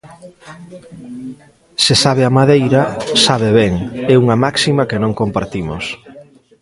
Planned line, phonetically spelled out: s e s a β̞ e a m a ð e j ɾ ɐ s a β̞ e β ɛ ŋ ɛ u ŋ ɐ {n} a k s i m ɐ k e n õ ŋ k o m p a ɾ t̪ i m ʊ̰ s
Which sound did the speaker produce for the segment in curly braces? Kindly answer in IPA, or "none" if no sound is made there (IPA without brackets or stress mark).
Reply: m